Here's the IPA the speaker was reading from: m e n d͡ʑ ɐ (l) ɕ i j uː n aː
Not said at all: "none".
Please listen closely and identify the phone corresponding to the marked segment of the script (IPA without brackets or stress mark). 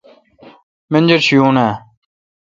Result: ɾ